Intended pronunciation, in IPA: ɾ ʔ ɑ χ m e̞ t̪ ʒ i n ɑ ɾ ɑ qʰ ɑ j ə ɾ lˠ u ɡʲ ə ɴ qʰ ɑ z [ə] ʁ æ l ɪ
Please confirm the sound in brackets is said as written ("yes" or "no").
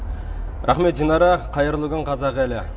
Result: no